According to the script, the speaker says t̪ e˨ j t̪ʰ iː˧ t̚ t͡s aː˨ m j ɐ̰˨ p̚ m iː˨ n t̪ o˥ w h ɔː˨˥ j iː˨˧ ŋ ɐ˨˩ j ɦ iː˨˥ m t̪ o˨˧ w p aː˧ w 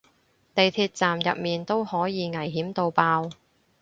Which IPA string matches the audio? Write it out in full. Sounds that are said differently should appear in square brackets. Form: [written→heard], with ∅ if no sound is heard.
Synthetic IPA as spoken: t̪ e˨ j t̪ʰ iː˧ t̚ t͡s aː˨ m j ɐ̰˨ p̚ m iː˨ n t̪ o˥ w h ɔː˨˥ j iː˨˧ ŋ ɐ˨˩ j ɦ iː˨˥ m t̪ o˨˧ w p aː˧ w